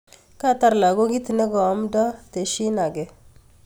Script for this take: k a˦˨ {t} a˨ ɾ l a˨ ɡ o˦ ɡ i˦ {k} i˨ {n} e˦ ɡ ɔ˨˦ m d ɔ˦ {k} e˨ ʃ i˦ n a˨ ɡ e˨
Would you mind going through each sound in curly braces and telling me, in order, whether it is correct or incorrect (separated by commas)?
correct, incorrect, correct, incorrect